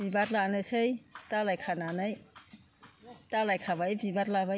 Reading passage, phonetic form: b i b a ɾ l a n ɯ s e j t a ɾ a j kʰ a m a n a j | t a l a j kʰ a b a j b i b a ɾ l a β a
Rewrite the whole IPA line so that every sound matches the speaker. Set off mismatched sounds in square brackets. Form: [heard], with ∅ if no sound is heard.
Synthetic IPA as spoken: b i b a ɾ l a n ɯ s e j t a [l] a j kʰ a [n] a n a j | t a l a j kʰ a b a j b i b a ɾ l a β a